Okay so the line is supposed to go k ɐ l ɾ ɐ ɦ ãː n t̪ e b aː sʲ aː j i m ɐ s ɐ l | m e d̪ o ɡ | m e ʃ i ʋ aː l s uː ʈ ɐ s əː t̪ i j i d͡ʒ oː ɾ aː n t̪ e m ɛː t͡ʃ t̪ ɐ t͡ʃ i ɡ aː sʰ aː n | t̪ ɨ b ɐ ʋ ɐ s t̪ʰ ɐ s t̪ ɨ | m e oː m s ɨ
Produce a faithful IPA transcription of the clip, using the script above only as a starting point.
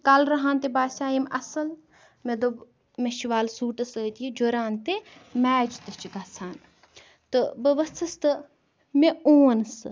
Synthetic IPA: k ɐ l ɾ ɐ ɦ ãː n t̪ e b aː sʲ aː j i m ɐ s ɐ l | m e d̪ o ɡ | m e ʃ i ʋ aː l s uː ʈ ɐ s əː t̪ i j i d͡ʒ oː ɾ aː n t̪ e m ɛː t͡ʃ t̪ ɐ t͡ʃ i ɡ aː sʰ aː n | t̪ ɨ b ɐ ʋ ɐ s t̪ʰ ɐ s t̪ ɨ | m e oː n s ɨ